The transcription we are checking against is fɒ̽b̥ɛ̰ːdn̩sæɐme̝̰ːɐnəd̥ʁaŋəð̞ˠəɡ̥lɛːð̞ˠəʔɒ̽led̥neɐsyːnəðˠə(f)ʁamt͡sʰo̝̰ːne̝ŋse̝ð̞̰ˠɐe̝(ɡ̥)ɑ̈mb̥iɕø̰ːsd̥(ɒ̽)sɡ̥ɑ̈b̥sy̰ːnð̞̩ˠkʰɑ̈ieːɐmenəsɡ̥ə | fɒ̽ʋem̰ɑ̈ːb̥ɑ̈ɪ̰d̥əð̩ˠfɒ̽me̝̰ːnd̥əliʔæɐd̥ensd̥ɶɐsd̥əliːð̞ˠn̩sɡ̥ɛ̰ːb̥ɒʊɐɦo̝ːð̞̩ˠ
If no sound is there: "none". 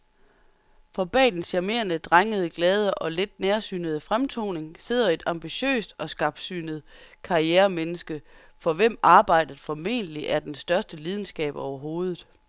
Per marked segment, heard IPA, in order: f, d̥, ɒ̽

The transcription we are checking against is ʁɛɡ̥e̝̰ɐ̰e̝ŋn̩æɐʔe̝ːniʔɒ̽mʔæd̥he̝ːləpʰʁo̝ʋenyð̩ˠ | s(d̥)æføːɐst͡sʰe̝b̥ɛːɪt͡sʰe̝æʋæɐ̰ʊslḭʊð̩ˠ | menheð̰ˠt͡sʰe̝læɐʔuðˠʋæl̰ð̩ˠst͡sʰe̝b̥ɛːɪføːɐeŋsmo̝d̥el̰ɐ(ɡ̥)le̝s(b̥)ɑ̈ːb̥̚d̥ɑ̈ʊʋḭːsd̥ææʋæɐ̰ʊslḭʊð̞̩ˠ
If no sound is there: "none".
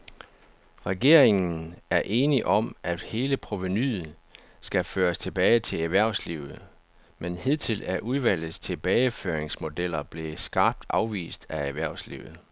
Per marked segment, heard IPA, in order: ɡ̥, b̥, ɡ̥

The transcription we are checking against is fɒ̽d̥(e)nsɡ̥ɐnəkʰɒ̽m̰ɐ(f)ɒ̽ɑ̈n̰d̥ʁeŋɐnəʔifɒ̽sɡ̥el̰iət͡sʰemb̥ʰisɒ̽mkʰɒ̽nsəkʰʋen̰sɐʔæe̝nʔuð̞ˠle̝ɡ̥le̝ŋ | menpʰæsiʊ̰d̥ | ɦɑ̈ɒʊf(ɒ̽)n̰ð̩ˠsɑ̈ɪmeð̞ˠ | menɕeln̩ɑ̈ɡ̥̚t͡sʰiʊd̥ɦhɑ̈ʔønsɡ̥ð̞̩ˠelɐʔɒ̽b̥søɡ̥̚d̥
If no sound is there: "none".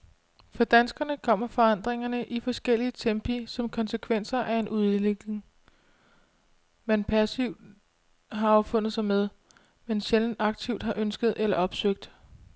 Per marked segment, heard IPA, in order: æ, f, ɔ̽

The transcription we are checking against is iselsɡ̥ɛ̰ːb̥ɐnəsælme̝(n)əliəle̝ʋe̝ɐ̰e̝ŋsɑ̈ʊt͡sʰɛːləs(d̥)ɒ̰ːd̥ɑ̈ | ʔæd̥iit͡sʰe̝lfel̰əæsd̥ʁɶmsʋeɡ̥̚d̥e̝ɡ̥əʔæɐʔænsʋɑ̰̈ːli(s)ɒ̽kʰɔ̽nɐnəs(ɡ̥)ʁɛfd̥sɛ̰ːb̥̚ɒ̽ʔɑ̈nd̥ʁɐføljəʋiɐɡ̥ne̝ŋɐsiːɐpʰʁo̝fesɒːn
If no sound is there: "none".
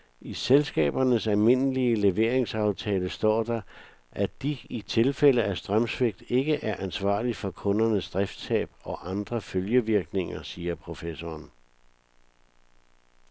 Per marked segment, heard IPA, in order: n, d̥, f, d̥

